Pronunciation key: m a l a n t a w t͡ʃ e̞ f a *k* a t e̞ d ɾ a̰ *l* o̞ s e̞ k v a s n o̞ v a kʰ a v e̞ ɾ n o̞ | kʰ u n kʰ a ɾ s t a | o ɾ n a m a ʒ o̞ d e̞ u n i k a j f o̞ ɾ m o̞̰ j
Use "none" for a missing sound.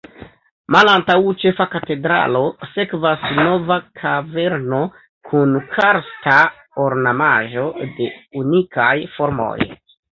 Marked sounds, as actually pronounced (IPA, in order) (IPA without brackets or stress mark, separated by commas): k, l